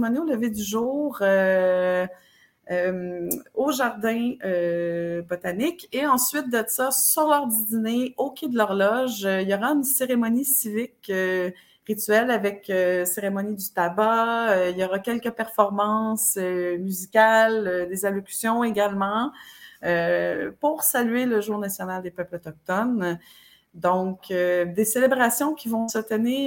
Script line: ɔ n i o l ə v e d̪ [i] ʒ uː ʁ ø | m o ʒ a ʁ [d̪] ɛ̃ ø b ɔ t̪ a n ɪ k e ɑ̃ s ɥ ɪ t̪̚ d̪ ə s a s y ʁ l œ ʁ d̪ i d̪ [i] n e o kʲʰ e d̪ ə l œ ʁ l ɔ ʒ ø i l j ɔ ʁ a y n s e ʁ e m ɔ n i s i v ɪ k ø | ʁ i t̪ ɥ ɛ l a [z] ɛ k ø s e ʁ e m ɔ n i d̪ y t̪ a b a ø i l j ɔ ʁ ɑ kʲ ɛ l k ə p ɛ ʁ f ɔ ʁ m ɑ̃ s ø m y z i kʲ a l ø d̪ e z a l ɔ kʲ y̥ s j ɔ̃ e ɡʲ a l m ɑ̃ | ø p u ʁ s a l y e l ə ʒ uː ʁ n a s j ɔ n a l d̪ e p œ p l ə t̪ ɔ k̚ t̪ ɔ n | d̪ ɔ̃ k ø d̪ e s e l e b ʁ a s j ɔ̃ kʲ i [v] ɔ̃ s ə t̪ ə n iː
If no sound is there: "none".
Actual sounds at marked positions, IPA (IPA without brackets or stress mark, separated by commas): y, d̪, i, v, v